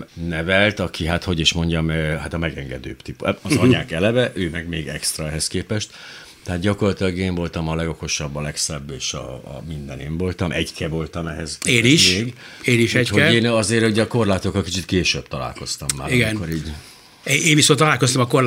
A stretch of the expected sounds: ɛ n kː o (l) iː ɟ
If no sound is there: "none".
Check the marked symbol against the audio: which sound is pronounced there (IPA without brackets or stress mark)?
ɾ